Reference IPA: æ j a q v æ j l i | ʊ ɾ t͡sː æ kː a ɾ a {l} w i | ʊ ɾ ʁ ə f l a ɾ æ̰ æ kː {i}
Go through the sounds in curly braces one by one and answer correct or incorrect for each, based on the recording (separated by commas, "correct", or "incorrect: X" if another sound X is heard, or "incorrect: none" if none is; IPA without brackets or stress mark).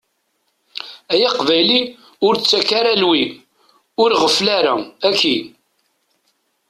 correct, correct